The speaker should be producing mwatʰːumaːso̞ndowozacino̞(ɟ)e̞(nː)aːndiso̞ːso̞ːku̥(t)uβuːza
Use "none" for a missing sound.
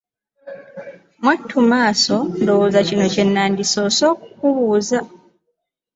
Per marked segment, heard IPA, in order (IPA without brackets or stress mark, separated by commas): c, nː, k